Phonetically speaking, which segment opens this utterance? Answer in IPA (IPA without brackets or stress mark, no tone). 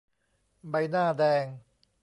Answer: b